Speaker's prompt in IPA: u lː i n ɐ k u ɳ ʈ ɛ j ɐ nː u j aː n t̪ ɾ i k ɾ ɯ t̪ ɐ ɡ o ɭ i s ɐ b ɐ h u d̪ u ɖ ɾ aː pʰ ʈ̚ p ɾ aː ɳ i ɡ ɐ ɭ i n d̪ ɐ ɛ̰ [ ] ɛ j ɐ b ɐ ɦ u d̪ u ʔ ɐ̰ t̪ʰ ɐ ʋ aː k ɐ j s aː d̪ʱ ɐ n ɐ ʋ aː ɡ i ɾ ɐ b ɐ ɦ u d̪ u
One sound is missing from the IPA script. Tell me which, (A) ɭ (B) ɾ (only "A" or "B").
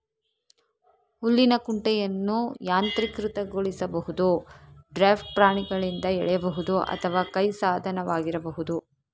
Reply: A